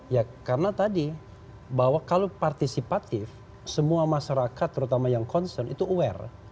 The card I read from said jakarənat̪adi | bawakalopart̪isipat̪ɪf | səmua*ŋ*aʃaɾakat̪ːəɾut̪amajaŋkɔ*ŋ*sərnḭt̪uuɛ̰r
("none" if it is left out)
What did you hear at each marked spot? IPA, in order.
m, n

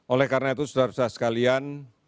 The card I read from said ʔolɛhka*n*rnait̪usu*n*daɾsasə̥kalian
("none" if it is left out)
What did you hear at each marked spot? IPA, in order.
none, none

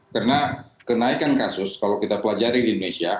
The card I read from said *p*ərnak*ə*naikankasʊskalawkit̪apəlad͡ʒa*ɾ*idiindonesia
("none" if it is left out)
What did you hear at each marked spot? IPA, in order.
k, ə, ɾ

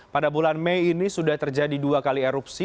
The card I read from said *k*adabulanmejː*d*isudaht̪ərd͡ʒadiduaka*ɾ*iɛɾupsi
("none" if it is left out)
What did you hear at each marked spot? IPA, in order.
p, n, l

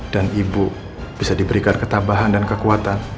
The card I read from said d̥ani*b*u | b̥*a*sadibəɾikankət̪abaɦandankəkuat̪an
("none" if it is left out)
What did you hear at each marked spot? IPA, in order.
b, i

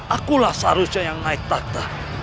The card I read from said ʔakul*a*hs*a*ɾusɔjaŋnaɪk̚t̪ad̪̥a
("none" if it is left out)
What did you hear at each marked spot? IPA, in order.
a, a

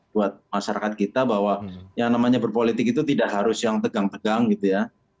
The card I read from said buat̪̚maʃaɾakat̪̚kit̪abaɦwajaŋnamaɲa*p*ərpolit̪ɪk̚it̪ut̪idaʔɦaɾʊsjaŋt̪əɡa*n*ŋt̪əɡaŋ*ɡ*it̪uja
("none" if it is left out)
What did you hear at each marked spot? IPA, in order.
b, none, ɡ

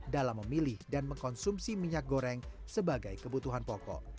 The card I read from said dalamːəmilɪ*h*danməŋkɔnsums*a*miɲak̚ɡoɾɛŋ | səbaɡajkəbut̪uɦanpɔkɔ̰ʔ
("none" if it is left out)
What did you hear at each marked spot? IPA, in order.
h, i

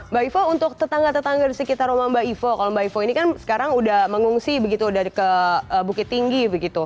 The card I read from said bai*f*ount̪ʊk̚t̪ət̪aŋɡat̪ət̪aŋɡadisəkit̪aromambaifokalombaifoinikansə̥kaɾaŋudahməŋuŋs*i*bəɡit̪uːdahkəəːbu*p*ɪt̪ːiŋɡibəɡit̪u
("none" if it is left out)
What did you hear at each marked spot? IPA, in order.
f, i, k

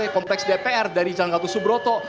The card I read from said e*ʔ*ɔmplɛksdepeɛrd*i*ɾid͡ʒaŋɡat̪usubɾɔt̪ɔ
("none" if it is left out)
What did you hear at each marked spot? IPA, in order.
k, a

